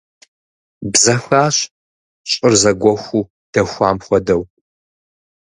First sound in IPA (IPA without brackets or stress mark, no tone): b